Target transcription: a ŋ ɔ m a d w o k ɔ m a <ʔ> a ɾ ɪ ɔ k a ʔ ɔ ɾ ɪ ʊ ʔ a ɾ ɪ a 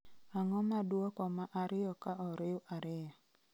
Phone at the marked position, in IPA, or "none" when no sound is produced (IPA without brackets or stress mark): ʔ